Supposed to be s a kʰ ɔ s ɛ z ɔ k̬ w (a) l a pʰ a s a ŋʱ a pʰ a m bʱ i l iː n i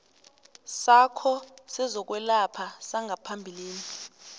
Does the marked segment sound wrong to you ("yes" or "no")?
yes